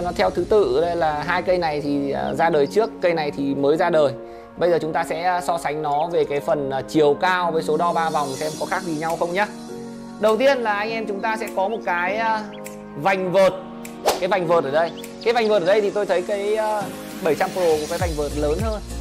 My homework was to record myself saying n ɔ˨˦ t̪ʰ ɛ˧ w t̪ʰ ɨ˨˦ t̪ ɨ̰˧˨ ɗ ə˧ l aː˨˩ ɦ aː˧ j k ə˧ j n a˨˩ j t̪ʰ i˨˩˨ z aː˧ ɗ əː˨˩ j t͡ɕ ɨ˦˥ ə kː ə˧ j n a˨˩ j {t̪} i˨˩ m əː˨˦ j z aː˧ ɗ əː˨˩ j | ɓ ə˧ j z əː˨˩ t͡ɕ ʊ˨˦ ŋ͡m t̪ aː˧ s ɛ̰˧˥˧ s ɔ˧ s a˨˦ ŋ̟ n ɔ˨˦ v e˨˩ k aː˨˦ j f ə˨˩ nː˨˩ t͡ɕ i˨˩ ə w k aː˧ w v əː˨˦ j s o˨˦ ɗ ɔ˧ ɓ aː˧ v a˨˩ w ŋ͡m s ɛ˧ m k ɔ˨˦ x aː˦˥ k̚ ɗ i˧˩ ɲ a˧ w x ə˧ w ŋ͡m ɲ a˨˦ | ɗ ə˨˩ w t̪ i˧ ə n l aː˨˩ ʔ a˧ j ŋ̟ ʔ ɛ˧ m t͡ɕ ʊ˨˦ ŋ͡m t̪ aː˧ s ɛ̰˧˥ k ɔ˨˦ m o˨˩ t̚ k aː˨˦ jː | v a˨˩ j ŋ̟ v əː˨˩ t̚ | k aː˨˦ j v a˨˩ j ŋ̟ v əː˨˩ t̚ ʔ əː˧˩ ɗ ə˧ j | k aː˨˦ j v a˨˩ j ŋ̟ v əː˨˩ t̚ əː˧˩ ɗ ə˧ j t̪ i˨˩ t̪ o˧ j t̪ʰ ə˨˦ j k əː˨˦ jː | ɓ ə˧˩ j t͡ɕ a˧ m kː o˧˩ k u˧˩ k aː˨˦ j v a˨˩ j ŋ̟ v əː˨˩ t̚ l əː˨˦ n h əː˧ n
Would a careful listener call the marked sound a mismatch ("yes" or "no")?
yes